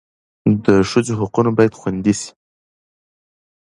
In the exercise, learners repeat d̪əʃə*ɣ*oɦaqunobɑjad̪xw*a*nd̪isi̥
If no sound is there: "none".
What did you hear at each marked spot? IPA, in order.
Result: z, a

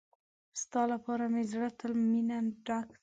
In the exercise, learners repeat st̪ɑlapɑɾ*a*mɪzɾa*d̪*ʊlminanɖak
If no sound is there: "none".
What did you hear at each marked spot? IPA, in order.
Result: a, t̪

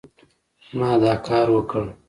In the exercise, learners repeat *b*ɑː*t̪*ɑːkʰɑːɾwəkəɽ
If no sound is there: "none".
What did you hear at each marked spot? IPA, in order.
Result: m, d̪

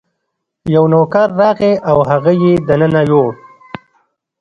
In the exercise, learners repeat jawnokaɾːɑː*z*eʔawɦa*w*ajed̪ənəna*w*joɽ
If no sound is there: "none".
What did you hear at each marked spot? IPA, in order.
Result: ɣ, ɣ, none

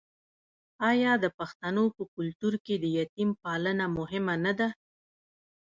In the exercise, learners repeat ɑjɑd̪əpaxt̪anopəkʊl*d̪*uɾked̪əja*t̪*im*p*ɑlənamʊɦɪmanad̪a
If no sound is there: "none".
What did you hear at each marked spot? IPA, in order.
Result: t̪, t̪, p

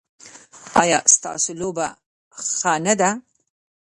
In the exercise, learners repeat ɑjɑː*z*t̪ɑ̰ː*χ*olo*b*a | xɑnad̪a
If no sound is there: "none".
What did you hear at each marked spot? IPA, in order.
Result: s, s, b

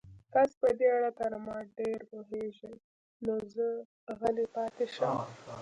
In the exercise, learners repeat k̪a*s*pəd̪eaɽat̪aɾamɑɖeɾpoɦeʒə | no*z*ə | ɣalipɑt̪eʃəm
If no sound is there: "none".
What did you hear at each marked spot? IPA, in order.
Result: s, z

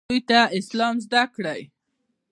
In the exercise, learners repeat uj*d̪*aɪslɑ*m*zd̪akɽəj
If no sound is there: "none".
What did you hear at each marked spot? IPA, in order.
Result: t̪, m

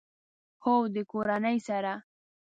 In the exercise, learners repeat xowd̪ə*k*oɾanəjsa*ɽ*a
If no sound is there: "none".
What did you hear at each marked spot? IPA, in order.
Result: k, ɾ

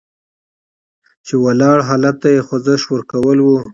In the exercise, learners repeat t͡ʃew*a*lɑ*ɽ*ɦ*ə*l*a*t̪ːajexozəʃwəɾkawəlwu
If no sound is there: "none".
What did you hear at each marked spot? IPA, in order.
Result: a, ɽ, ɑ, a

